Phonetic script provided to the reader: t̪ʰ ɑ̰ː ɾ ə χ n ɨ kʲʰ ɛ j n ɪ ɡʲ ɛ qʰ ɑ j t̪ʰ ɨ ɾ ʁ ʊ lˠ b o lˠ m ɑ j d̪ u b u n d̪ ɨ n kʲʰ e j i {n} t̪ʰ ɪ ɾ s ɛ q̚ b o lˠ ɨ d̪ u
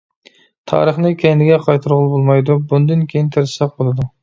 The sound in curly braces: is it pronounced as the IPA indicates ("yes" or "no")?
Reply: yes